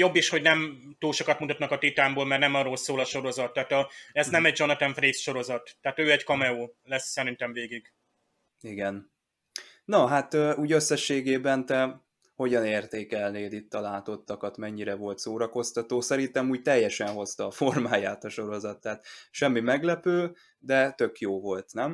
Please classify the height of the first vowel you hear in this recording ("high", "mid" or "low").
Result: mid